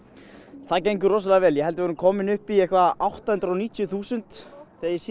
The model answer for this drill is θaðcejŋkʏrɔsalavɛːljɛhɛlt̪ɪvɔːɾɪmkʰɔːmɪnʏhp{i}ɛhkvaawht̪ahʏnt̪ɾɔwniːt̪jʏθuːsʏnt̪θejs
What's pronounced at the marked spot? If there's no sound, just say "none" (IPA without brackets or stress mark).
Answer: i